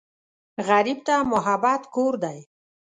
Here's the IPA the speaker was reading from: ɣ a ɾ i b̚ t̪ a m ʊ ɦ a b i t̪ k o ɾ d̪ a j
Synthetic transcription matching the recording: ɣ a ɾ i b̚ t̪ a m ʊ ɦ a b a t̪ k o ɾ d̪ a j